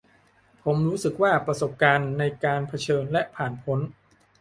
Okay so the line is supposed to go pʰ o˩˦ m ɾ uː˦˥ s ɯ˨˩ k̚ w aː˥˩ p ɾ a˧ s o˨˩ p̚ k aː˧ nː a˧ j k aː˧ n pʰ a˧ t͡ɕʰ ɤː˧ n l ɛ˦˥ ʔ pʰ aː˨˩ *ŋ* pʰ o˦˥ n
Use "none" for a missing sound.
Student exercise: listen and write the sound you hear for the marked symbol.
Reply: n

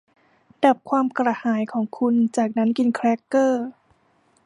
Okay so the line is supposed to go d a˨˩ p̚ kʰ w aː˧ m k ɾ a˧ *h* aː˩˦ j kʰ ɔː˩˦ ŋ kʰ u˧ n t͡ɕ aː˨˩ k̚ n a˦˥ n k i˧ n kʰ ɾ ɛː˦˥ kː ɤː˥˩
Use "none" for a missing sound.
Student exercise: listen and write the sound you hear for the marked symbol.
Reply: h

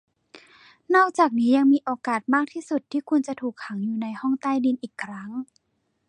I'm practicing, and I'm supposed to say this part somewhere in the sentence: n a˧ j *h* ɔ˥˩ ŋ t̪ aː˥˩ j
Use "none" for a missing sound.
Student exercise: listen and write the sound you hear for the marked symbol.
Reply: h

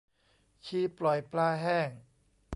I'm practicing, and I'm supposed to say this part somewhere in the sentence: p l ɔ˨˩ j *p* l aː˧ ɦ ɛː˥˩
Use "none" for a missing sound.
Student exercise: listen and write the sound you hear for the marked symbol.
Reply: p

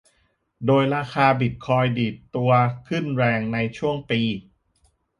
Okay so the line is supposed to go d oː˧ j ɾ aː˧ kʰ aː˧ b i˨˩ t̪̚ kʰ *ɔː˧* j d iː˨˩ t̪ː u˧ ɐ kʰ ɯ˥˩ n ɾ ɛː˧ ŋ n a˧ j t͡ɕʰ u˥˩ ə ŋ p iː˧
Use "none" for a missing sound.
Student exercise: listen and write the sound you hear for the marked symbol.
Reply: ɔː˧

